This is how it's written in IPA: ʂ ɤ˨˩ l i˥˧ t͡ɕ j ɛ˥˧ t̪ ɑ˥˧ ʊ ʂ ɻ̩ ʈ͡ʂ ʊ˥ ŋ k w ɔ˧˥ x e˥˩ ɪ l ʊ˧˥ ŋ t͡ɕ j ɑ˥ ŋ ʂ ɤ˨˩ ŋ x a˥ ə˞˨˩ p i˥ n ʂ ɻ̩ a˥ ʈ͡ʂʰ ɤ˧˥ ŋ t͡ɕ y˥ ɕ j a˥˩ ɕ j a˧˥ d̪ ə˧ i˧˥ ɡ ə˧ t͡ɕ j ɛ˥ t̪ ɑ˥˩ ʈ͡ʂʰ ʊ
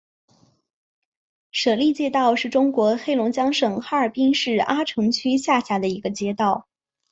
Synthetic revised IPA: ʂ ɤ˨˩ l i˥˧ t͡ɕ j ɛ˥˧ t̪ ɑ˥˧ ʊ ʂ ɻ̩ ʈ͡ʂ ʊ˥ ŋ k w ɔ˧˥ x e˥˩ ɪ l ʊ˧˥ ŋ t͡ɕ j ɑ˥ ŋ ʂ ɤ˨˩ ŋ x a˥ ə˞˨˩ p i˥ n ʂ ɻ̩ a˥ ʈ͡ʂʰ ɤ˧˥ ŋ t͡ɕʰ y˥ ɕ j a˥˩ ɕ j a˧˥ d̪ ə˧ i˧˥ ɡ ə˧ t͡ɕ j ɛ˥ t̪ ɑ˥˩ ʊ